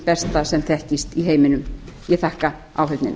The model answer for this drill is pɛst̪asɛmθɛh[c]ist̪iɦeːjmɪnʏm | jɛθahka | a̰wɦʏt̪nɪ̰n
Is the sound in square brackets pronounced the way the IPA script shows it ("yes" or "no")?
yes